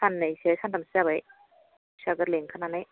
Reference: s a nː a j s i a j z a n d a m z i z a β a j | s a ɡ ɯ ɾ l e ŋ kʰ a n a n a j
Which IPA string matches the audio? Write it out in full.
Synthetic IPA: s a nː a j s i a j s a n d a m s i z a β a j | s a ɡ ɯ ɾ l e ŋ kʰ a n a n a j